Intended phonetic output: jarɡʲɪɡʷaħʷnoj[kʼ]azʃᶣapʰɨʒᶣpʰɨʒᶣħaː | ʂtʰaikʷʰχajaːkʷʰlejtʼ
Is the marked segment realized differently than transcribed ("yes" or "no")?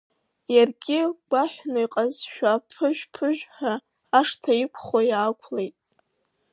yes